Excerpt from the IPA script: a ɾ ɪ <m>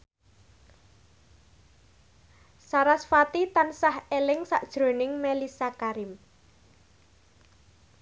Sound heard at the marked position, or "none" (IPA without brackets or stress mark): m